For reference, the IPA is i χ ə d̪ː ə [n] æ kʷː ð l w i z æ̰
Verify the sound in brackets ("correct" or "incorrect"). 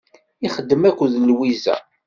incorrect